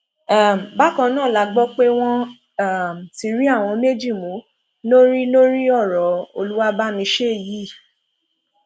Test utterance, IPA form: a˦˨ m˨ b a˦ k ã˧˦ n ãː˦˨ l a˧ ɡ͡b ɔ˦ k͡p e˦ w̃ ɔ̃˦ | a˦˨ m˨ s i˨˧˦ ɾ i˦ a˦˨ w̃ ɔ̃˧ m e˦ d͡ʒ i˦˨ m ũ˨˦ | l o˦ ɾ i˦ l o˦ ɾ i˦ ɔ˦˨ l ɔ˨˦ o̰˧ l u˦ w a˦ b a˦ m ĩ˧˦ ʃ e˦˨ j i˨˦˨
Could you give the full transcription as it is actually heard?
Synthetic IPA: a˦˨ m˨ b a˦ k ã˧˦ n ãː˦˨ l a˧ ɡ͡b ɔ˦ k͡p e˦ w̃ ɔ̃˦ | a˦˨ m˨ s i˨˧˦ ɾ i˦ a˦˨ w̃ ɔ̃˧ m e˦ d͡ʒ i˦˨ m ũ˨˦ | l o˦ ɾ i˦ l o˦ ɾ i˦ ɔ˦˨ ɾ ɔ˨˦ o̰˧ l u˦ w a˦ b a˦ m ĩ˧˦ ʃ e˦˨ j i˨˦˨